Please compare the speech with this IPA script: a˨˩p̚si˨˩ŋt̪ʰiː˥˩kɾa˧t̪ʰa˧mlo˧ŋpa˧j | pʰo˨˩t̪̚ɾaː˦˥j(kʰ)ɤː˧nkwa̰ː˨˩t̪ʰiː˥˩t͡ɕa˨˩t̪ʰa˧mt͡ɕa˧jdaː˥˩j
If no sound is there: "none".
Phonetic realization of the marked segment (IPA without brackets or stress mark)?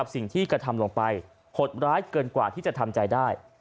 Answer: k